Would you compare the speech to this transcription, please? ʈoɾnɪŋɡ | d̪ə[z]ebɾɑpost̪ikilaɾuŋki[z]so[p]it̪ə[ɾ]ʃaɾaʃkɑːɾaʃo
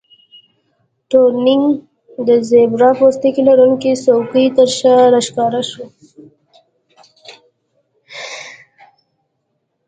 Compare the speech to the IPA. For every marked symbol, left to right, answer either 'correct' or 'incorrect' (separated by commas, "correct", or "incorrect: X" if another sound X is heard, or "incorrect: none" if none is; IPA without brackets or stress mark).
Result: correct, incorrect: none, incorrect: k, correct